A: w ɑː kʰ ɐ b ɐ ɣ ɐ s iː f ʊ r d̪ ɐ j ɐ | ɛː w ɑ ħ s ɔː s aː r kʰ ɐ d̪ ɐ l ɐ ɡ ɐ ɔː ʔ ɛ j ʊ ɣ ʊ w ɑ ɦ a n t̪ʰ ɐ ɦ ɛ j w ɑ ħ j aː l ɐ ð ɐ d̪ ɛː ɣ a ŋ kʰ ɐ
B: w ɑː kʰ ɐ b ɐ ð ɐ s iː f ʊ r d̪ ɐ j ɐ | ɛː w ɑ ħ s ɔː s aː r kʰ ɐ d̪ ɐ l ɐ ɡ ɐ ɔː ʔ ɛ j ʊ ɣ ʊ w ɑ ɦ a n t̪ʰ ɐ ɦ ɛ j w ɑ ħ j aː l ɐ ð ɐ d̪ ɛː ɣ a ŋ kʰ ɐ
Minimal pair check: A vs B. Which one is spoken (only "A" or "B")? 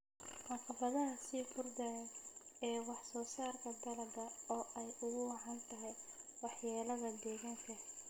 B